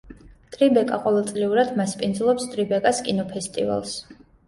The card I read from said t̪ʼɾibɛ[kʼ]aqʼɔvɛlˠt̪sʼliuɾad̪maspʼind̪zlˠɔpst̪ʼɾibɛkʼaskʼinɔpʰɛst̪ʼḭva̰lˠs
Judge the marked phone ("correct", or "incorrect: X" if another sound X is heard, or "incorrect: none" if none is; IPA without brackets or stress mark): correct